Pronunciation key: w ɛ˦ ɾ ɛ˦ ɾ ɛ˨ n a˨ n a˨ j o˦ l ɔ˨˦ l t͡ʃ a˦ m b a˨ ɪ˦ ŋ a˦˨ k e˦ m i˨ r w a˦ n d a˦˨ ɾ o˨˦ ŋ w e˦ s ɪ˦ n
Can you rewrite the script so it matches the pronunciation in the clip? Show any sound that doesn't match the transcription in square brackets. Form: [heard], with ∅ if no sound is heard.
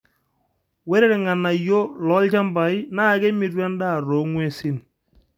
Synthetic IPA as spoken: w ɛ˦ ɾ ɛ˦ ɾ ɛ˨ [ŋ] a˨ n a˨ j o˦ l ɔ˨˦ l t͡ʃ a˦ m b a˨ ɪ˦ [n] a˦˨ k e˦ m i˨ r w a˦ n d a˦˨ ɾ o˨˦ ŋ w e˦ s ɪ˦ n